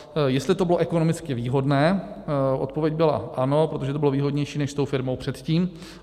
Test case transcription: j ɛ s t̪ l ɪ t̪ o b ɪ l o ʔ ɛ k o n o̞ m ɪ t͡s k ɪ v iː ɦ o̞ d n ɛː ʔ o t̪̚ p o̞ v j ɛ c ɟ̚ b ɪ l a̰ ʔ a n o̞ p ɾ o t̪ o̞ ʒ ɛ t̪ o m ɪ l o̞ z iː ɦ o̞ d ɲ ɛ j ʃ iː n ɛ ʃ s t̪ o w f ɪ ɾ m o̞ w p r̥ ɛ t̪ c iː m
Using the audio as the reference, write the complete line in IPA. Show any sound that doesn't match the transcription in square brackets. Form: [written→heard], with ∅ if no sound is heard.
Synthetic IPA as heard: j ɛ s t̪ l ɪ t̪ o b ɪ l o ʔ ɛ k o n o̞ m ɪ t͡s k ɪ v iː ɦ o̞ d n ɛː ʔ o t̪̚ p o̞ v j ɛ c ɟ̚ b ɪ l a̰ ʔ a n o̞ p ɾ o t̪ o̞ ʒ ɛ t̪ o [m→b] ɪ l o̞ [z→v] iː ɦ o̞ d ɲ ɛ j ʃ iː n ɛ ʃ s t̪ o w f ɪ ɾ m o̞ w p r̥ ɛ t̪ c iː m